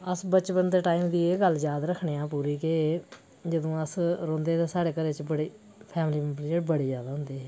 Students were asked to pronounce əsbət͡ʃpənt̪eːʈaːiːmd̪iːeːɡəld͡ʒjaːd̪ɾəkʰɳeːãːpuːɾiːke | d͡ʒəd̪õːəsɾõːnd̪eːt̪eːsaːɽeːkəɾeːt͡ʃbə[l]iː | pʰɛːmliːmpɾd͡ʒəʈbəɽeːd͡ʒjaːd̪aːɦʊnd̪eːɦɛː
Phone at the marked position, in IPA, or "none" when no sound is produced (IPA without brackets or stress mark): ɽ